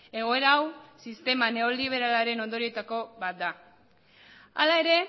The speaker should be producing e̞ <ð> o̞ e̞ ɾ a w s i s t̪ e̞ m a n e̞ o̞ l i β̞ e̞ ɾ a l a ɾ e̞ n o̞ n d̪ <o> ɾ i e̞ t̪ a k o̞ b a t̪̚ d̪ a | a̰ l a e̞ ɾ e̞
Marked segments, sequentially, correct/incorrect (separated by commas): incorrect, correct